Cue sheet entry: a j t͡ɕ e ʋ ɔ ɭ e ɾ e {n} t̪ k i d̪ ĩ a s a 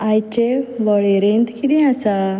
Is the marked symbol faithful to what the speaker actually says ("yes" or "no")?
yes